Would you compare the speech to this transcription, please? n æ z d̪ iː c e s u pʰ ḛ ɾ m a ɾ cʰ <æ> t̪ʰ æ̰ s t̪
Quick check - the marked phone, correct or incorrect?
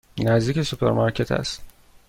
incorrect